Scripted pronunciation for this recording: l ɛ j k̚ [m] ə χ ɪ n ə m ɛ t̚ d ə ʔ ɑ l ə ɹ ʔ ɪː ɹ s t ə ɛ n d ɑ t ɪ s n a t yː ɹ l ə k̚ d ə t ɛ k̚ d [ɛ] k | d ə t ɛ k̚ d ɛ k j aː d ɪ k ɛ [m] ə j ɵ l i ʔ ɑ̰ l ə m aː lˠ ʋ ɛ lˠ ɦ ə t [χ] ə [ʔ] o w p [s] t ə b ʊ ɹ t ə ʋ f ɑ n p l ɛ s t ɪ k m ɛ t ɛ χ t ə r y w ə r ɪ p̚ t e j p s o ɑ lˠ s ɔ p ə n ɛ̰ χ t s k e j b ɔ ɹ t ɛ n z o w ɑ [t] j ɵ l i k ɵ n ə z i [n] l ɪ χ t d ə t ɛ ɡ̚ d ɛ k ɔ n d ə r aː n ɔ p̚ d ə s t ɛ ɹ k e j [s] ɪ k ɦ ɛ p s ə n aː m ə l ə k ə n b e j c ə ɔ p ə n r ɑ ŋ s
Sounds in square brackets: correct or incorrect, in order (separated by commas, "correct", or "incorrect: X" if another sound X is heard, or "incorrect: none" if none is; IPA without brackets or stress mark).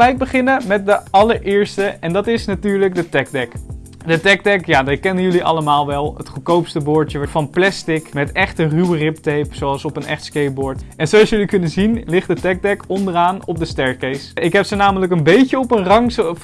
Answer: incorrect: b, correct, incorrect: n, correct, incorrect: k, correct, incorrect: s, correct, correct